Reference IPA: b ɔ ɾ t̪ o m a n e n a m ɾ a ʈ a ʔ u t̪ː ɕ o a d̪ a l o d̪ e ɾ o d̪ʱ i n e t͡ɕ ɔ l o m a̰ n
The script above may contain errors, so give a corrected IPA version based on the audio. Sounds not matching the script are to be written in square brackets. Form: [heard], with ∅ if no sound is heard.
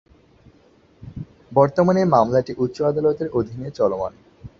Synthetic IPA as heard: b ɔ ɾ t̪ o m a n e [m] a m [l] a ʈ [i] ʔ u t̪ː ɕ o a d̪ a l o [t̪] e ɾ o d̪ʱ i n e t͡ɕ ɔ l o m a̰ n